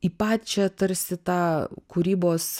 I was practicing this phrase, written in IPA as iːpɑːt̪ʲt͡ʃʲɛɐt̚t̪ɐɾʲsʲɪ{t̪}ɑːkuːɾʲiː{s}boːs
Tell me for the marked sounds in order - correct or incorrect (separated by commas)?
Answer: correct, incorrect